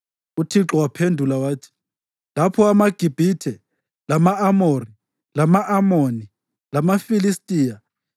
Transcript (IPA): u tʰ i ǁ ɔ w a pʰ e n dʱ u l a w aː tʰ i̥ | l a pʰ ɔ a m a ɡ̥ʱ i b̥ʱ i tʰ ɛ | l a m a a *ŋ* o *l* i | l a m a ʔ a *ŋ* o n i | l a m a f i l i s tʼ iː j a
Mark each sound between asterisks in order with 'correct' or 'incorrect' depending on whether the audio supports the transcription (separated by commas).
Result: incorrect, incorrect, incorrect